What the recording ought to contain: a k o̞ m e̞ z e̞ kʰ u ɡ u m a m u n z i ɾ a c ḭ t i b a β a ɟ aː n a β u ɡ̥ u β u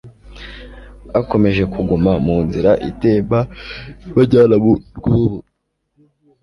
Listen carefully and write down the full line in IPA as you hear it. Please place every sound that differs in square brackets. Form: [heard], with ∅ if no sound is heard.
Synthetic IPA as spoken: a k o̞ m e̞ [ʒ] e̞ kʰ u ɡ u m a m [uː] n z i ɾ a [ʔ] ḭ t [e] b a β a ɟ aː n a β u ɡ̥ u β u